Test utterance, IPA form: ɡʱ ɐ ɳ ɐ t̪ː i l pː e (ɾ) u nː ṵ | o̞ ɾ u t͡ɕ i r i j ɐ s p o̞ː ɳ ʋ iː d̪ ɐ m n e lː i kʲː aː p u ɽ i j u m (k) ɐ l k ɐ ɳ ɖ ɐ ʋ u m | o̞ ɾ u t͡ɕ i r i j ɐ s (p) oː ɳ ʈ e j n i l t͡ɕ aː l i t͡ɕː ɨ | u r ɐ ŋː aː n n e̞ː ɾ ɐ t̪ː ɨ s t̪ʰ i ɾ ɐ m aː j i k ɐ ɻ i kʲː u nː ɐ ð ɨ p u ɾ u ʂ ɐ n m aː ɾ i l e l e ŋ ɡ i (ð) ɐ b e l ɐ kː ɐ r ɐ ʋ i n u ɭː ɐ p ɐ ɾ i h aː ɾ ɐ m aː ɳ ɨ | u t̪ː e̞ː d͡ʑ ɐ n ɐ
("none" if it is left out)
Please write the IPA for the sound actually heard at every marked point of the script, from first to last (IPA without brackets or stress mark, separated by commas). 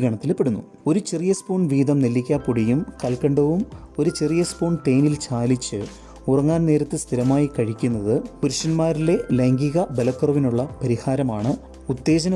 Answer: ɽ, k, p, ɣ